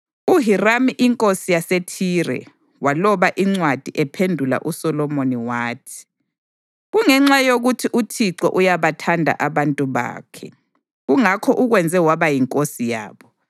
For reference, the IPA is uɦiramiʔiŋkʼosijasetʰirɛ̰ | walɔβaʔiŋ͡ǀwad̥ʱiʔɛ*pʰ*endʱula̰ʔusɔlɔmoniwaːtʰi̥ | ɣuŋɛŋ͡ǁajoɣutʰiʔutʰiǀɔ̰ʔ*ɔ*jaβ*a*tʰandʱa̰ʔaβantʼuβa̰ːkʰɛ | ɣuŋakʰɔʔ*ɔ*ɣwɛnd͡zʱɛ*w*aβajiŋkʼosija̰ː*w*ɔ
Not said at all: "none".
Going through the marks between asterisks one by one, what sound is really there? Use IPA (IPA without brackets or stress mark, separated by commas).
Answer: pʰ, u, a, u, w, β